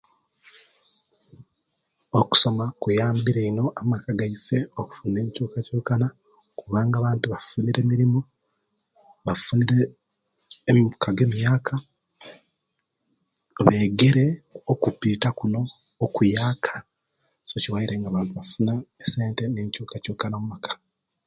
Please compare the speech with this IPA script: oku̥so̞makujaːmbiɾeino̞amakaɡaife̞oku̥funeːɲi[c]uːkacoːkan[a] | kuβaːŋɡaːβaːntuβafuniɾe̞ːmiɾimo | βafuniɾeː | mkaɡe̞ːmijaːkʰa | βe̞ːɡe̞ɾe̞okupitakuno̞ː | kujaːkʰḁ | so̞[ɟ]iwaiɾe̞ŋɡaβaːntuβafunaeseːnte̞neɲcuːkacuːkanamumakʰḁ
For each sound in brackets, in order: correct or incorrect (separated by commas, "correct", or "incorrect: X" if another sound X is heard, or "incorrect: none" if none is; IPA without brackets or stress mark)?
correct, correct, incorrect: c